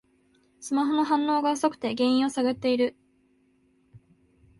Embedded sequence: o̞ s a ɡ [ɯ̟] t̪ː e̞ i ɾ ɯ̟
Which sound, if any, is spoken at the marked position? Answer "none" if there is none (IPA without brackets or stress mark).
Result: ɯ̟